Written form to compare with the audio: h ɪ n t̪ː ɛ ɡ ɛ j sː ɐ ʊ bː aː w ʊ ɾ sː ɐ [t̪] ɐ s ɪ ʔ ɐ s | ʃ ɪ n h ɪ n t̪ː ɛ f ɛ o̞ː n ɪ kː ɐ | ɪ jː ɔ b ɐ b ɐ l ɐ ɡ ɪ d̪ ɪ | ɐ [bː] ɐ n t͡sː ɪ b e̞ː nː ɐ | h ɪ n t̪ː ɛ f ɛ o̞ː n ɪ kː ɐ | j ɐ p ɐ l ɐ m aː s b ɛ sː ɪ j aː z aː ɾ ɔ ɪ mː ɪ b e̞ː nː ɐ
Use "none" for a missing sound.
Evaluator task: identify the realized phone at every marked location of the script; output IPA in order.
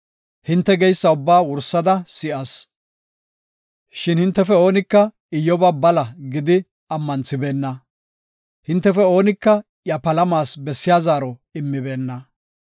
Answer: d̪, mː

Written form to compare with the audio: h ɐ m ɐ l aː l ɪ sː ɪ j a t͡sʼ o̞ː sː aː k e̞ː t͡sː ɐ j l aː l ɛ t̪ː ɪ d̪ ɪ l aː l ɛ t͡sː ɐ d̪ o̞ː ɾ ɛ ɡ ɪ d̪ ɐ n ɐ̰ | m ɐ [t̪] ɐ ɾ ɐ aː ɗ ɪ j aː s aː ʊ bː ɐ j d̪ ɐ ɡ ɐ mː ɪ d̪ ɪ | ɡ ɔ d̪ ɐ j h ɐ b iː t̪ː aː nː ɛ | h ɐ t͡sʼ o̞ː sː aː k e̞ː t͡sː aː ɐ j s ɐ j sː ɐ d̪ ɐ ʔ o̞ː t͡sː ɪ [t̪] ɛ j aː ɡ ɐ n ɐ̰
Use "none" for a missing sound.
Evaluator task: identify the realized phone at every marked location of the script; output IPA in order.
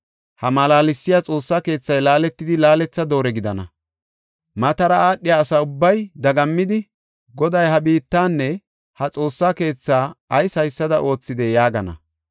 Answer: t̪, d̪

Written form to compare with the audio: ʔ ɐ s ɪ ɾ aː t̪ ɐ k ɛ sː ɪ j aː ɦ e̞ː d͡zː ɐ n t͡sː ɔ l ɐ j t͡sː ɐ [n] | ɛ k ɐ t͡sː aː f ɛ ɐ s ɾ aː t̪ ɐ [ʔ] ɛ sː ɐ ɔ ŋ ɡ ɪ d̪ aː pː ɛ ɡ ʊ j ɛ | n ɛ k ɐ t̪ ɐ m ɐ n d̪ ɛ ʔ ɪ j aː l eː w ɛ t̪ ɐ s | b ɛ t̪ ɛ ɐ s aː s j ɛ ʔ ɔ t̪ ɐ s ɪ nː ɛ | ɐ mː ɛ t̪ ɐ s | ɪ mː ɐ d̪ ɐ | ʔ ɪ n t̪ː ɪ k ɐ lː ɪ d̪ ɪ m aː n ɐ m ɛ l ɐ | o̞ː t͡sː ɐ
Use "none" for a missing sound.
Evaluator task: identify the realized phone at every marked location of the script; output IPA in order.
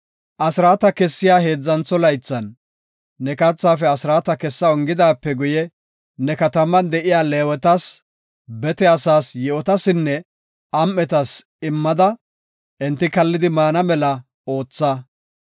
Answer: nː, k

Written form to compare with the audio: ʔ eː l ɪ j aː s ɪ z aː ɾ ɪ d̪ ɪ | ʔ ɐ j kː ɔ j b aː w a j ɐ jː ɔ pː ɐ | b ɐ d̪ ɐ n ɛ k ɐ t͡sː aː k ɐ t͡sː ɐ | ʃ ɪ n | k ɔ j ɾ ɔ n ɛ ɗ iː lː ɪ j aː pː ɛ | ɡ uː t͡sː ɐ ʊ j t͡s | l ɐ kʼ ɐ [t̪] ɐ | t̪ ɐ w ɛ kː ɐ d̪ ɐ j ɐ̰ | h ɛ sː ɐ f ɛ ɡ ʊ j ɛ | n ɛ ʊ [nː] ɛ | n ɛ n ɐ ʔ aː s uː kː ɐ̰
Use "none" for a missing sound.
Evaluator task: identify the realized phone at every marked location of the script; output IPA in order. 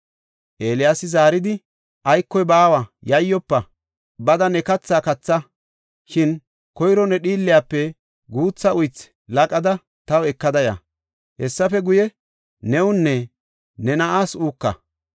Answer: d̪, nː

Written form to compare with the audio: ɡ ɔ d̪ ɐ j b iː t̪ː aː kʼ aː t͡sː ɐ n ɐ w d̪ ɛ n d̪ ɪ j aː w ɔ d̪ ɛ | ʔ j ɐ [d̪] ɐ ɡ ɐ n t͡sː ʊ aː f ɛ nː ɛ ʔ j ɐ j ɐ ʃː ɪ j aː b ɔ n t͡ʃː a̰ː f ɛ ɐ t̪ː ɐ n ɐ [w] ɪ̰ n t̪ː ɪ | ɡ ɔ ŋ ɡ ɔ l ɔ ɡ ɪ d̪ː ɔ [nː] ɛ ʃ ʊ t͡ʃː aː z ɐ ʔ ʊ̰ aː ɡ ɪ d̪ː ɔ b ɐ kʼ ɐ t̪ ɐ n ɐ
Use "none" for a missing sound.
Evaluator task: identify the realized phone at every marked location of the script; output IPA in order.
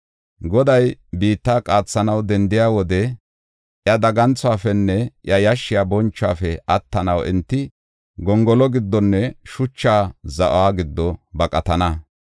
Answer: d̪, w, nː

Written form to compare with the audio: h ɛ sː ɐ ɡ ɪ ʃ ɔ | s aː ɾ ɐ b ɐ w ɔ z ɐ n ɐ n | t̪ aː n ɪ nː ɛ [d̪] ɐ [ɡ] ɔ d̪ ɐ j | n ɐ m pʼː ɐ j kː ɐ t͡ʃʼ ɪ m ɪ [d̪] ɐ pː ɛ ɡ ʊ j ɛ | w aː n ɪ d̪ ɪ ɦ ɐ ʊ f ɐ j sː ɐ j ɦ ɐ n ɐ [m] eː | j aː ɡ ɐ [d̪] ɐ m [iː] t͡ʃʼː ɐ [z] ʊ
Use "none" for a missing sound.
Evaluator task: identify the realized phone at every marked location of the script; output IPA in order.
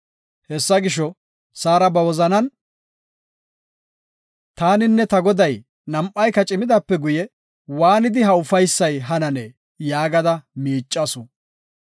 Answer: t̪, ɡ, d̪, n, d̪, iː, s

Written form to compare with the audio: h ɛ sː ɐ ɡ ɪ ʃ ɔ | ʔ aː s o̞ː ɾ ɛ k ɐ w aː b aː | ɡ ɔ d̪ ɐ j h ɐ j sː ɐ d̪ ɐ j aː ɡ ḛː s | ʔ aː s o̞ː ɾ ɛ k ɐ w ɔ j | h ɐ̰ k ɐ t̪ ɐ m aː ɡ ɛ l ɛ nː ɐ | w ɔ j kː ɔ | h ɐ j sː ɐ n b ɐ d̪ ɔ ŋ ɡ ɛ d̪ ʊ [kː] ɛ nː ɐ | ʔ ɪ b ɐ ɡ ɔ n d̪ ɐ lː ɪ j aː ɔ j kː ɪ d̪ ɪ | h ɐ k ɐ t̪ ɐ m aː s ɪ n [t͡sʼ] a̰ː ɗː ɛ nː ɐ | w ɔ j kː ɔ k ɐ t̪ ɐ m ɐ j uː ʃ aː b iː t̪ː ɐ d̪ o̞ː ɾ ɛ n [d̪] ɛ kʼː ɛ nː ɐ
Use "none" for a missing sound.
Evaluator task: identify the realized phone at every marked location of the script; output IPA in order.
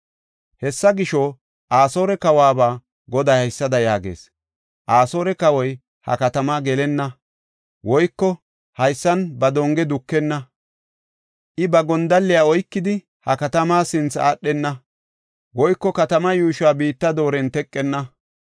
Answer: kː, t͡s, t̪

